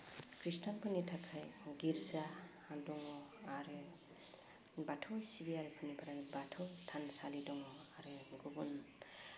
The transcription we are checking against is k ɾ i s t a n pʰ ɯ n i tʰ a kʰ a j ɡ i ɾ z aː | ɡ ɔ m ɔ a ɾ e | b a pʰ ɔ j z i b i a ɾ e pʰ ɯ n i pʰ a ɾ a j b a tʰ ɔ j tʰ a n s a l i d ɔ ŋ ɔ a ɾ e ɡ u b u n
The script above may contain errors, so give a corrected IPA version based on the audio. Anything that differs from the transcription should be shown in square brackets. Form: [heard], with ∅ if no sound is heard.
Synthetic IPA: k ɾ i s t a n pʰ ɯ n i tʰ a kʰ a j ɡ i ɾ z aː | [d] ɔ [ŋ] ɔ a ɾ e | b a [tʰ] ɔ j [s] i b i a ɾ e pʰ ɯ n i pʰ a ɾ a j b a tʰ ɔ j tʰ a n s a l i d ɔ ŋ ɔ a ɾ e ɡ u b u n